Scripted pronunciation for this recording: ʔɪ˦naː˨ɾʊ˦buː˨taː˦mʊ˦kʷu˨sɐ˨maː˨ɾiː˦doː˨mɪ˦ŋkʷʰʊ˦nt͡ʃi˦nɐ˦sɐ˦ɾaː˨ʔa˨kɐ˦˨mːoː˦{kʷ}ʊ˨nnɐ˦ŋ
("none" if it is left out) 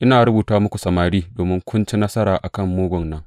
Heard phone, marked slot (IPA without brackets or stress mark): ɡʷ